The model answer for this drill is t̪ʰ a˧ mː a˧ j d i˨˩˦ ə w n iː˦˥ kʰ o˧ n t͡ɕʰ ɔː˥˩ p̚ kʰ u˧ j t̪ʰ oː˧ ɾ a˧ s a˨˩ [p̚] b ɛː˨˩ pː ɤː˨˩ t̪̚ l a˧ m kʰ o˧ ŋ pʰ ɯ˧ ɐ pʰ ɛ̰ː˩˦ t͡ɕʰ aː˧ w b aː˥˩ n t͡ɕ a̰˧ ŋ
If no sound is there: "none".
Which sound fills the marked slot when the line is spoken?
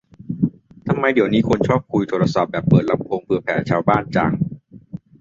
p̚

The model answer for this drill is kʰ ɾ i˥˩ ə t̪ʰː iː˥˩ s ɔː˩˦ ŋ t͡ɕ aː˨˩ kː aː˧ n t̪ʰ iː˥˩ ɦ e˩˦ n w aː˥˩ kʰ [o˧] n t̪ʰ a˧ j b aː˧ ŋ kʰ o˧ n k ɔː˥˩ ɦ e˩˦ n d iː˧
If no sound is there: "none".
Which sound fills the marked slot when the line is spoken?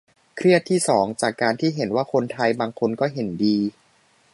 o˧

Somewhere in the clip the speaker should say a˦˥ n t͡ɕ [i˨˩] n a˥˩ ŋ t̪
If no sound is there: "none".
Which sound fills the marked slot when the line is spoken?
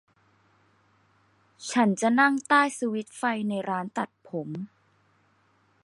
a˨˩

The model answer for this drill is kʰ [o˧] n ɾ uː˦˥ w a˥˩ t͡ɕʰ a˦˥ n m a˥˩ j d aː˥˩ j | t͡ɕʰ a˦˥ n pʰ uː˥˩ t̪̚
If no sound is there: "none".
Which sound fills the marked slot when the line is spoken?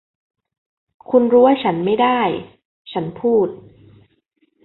u˧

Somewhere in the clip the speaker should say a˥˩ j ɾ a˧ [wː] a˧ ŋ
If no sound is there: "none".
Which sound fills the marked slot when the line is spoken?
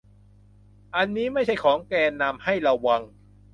wː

